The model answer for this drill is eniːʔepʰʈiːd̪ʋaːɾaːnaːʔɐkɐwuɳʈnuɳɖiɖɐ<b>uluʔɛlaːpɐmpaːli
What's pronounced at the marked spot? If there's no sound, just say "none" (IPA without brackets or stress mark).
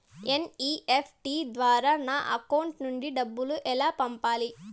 bː